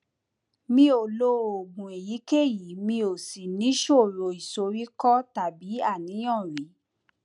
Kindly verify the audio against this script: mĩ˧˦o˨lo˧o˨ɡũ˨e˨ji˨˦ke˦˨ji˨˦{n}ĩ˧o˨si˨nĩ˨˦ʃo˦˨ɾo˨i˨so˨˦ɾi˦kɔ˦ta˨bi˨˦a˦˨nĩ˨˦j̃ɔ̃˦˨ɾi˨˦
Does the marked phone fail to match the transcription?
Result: yes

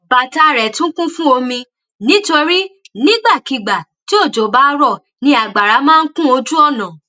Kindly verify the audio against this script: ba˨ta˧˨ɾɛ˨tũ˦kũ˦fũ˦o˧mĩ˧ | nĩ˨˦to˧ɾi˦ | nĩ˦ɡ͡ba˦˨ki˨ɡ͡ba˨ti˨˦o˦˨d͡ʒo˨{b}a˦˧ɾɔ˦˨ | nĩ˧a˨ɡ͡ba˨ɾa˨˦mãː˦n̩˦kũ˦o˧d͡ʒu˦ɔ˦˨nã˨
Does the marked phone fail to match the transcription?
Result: no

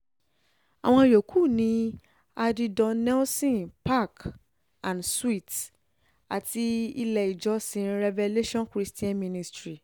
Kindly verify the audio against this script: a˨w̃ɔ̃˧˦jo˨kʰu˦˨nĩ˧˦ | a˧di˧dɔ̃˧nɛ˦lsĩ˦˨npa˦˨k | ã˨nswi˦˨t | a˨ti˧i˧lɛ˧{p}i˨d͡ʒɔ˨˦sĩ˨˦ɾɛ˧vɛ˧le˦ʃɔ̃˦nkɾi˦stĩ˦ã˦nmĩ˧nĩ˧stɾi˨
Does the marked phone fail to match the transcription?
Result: yes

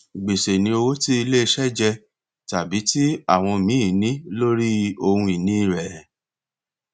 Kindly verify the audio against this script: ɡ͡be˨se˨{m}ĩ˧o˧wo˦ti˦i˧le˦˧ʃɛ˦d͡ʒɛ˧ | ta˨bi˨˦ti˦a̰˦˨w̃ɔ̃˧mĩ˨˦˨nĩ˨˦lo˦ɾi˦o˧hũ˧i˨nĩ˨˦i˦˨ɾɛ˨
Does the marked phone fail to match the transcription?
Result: yes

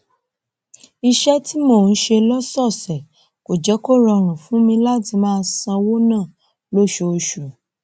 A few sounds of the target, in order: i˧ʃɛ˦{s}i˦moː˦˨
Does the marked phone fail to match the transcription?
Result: yes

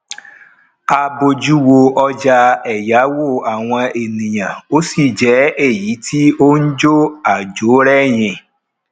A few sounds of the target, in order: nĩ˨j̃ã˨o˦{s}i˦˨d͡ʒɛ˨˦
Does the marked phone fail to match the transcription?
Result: no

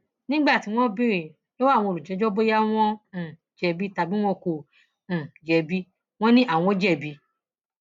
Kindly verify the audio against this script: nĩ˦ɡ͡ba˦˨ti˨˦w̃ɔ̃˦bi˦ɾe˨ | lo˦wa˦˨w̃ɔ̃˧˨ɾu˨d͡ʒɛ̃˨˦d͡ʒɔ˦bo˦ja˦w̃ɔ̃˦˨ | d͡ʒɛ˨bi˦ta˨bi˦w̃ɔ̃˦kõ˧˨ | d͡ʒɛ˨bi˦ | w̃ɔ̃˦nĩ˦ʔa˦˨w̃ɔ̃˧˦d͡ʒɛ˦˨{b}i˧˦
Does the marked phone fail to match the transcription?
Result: no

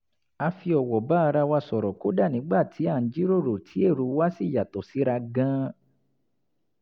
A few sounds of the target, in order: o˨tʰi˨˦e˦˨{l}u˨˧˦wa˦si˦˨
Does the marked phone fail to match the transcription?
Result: yes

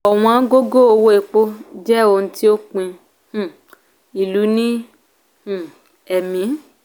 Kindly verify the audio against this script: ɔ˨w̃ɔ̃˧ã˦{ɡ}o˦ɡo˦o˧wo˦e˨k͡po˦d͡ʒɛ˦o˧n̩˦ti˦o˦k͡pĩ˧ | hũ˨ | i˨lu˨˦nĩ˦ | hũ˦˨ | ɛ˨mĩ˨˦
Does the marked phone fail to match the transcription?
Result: no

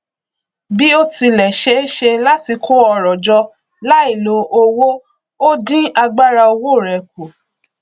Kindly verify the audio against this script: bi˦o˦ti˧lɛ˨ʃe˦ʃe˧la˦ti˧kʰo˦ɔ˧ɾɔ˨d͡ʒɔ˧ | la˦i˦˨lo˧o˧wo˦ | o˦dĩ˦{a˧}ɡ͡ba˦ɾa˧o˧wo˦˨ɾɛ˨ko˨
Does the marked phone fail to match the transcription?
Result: no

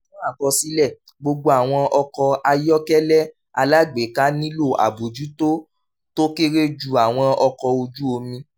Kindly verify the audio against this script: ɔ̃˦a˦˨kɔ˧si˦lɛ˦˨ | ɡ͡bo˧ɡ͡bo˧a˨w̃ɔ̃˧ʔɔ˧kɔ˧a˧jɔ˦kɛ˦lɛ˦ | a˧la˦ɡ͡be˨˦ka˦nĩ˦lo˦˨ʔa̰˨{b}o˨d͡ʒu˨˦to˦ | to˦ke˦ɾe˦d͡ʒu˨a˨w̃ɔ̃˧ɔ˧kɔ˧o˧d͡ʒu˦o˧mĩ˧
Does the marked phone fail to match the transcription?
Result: no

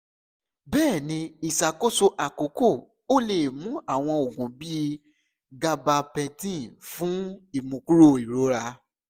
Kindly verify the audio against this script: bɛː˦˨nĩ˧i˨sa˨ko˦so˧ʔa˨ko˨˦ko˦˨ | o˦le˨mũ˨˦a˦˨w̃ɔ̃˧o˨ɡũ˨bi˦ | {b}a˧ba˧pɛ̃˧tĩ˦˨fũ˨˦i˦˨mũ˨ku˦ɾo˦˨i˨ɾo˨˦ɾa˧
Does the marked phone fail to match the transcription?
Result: yes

